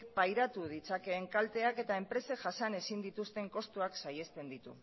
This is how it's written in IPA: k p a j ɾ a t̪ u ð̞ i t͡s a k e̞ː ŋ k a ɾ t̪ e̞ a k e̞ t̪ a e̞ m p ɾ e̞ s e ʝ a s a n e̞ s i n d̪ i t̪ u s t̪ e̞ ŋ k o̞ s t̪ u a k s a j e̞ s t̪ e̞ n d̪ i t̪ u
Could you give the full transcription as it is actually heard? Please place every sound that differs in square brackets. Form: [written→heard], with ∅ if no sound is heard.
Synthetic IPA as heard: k p a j ɾ a t̪ u ð̞ i t͡s a k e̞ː ŋ k a [ɾ→l] t̪ e̞ a k e̞ t̪ a e̞ m p ɾ e̞ s e ʝ a s a n e̞ s i n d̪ i t̪ u s t̪ e̞ ŋ k o̞ s t̪ u a k s a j e̞ s t̪ e̞ n d̪ i t̪ u